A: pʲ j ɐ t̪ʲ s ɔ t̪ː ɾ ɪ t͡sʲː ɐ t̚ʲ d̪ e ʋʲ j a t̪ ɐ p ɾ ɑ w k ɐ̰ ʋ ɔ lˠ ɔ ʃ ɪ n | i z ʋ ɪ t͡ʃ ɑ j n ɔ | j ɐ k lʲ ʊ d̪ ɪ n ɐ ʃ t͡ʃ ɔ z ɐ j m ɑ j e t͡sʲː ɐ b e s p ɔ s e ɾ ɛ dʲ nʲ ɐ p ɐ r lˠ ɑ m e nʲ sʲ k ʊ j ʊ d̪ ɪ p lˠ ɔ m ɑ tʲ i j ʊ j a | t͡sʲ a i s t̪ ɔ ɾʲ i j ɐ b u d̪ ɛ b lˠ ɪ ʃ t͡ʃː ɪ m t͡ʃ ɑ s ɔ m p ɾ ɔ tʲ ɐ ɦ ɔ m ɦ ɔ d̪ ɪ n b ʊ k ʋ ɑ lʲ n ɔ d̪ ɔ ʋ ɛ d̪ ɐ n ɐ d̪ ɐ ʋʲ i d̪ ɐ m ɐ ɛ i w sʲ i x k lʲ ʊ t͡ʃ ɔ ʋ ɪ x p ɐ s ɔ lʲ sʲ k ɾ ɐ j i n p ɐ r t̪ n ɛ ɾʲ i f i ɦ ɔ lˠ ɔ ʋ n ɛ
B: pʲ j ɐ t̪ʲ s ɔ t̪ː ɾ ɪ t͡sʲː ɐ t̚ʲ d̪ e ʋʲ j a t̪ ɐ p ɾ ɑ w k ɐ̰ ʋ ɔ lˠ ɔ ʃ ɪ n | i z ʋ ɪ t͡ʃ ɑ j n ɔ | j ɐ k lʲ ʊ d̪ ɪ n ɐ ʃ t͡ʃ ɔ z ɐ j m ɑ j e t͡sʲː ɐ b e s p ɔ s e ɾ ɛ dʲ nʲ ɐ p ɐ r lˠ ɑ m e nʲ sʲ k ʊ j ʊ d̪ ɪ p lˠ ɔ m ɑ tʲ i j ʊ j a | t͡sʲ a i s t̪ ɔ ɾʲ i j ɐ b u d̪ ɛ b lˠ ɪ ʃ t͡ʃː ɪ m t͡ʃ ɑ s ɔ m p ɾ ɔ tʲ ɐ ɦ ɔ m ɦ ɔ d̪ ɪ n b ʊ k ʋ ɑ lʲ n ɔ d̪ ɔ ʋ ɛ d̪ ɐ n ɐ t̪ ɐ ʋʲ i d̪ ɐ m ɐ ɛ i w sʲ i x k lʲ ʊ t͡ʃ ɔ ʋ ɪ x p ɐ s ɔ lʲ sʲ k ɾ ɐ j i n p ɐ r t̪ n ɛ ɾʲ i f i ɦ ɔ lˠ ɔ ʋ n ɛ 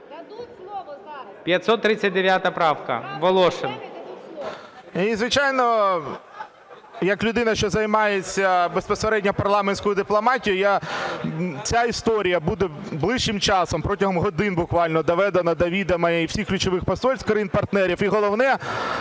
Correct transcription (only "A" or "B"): A